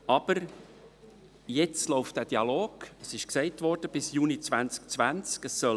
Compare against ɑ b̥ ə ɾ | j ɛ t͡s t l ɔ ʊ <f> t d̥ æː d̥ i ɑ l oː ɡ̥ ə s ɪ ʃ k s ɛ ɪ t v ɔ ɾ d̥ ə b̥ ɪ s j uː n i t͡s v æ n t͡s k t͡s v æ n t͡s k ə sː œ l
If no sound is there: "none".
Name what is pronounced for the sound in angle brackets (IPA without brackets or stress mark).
f